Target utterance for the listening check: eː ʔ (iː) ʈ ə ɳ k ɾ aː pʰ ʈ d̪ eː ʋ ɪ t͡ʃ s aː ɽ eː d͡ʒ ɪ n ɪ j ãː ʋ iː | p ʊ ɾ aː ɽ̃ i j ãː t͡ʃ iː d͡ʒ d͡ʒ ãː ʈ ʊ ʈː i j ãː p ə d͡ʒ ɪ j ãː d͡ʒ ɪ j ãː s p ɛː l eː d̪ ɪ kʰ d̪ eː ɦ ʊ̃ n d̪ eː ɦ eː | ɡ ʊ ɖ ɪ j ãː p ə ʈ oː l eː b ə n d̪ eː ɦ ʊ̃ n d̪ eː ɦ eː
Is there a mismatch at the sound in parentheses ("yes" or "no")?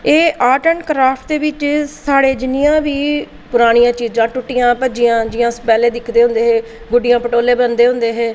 yes